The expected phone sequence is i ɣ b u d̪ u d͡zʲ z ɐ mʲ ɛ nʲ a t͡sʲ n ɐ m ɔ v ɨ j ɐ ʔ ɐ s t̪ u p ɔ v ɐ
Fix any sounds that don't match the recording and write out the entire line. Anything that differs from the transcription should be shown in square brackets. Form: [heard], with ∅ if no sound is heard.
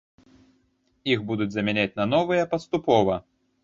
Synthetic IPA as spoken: i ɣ b u d̪ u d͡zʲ z ɐ mʲ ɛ nʲ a t͡sʲ n ɐ [n] ɔ v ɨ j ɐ [p] ɐ s t̪ u p ɔ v ɐ